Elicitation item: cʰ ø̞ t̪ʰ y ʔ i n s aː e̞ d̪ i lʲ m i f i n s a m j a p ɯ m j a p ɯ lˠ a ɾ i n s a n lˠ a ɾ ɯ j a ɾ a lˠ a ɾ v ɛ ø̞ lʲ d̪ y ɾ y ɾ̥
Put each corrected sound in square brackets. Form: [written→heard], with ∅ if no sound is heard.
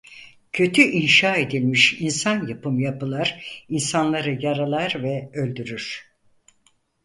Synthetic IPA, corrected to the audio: cʰ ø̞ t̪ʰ y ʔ i n [s→ʃ] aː e̞ d̪ i lʲ m i [f→ʃ] i n s a [m→n] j a p ɯ m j a p ɯ lˠ a ɾ i n s a n lˠ a ɾ ɯ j a ɾ a lˠ a ɾ v ɛ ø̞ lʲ d̪ y ɾ y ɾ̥